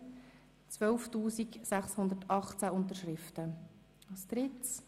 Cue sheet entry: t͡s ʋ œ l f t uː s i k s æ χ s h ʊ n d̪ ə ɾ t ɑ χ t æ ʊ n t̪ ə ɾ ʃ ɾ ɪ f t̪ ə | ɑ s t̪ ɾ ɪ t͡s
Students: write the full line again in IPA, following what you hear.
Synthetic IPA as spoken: t͡s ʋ œ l f t uː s i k s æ χ s h ʊ n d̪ ə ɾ t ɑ χ t͡s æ ʊ n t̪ ə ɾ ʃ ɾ ɪ f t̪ ə | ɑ s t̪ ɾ ɪ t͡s